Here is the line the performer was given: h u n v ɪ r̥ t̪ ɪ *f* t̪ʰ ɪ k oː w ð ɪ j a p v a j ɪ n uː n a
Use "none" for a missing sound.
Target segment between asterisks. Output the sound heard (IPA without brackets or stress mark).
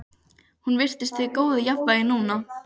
s